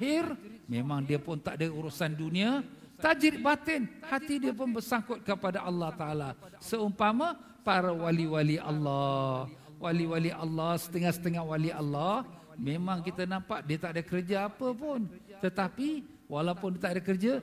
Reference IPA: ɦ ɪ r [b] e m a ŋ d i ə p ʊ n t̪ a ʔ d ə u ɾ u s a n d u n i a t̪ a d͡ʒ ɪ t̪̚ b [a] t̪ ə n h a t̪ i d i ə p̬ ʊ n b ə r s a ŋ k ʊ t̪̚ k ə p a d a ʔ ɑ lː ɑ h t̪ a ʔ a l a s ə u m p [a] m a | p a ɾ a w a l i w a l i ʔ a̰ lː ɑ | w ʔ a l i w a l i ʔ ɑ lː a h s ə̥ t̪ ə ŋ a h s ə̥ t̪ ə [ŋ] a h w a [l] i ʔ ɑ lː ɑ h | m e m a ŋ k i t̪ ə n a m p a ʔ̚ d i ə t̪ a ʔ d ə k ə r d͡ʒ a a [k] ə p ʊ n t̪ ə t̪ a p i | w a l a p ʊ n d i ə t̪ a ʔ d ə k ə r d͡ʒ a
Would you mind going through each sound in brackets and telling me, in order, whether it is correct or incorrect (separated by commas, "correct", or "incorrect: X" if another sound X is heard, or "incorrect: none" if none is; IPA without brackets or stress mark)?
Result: incorrect: m, correct, correct, correct, correct, incorrect: p